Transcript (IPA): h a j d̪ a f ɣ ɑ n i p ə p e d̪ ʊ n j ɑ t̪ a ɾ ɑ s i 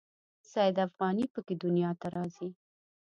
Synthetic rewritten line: s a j d̪ a f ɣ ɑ n i p ə k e d̪ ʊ n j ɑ t̪ a ɾ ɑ z i